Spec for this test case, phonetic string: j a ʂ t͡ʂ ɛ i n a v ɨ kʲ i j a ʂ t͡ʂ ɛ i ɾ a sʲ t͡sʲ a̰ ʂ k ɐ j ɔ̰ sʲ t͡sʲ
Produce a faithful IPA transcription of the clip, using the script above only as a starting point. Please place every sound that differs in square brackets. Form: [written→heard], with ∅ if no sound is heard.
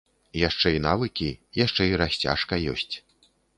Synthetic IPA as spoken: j a ʂ t͡ʂ ɛ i n a v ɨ kʲ i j a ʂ t͡ʂ ɛ i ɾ a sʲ t͡sʲ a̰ ʂ k ɐ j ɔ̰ sʲ t͡sʲ